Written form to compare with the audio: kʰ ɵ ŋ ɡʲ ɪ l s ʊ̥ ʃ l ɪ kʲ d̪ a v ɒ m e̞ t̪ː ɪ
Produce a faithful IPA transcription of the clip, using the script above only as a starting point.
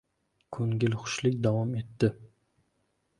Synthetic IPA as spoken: kʰ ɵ ŋ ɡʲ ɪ l χ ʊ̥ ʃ l ɪ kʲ d̪ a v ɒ m e̞ t̪ː ɪ